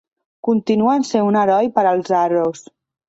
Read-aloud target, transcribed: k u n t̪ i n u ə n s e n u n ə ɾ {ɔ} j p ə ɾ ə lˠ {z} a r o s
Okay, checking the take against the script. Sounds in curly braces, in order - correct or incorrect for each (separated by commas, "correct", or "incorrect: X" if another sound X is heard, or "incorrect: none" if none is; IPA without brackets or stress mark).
correct, correct